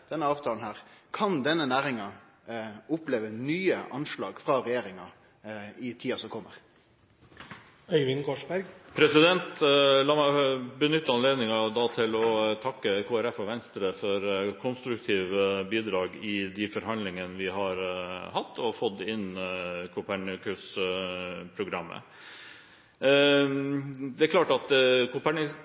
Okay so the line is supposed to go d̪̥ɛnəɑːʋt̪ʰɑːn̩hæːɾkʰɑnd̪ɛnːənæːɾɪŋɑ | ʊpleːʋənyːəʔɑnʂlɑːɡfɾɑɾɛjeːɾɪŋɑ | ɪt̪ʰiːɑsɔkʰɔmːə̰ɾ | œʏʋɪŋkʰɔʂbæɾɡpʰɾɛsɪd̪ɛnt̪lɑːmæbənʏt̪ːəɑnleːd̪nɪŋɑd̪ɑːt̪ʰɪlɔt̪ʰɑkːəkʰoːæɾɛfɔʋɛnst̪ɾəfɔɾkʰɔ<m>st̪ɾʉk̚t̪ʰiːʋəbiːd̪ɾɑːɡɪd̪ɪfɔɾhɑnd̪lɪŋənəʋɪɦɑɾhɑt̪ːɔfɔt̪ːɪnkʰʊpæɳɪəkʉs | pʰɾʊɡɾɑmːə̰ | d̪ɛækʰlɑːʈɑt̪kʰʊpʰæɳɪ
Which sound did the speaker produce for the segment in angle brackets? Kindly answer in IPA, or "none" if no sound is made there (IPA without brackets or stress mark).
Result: n